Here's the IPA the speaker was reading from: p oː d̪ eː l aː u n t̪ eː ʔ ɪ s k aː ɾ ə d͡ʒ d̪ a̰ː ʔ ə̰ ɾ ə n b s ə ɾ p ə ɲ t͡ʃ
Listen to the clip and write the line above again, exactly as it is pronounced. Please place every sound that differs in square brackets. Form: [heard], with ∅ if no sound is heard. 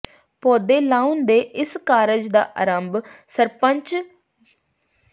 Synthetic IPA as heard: p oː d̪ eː l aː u n [d̪] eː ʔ ɪ s k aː ɾ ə d͡ʒ d̪ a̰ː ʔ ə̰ ɾ ə [m] b s ə ɾ p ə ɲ t͡ʃ